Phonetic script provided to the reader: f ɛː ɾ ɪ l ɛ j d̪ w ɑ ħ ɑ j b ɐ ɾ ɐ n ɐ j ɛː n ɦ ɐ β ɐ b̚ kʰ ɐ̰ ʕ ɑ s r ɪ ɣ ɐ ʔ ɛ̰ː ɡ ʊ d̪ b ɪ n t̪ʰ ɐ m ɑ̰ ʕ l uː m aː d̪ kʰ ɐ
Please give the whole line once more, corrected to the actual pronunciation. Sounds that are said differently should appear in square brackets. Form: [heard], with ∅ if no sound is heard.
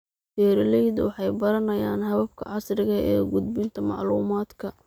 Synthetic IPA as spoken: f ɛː ɾ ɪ l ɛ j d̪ w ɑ ħ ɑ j b ɐ ɾ ɐ n ɐ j [aː] n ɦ ɐ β ɐ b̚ kʰ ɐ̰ ʕ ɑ s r ɪ ɣ ɐ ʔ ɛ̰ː ɡ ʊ d̪ b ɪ n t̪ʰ ɐ m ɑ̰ ʕ l uː m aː d̪ kʰ ɐ